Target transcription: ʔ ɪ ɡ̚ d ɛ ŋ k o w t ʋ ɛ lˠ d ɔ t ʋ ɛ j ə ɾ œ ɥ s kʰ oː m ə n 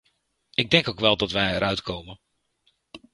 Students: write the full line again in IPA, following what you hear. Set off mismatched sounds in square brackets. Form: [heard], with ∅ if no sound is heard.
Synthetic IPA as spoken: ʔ ɪ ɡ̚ d ɛ ŋ k o w [k] ʋ ɛ lˠ d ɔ t ʋ ɛ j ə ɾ œ ɥ [t] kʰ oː m ə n